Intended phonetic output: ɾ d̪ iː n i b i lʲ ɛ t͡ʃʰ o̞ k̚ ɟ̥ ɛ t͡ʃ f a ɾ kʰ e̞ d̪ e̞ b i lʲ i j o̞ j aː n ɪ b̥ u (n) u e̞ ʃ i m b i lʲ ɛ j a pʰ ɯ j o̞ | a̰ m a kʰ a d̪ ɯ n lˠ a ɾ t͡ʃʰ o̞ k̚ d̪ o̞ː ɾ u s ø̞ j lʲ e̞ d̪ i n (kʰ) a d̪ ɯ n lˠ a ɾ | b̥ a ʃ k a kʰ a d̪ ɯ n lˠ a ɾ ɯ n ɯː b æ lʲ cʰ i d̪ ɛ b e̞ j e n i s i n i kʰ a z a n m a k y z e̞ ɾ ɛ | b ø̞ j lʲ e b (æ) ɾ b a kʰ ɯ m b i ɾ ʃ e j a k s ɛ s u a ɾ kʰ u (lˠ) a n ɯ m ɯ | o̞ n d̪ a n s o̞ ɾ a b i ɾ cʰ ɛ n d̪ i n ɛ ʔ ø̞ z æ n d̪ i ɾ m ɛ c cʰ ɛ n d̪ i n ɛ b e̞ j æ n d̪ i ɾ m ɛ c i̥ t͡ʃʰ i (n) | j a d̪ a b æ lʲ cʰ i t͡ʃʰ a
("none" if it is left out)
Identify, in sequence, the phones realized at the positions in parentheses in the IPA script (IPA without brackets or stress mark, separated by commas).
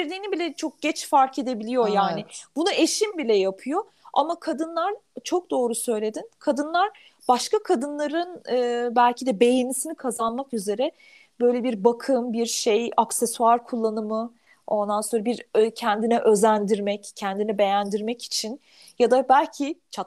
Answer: n, kʰ, i, lˠː, n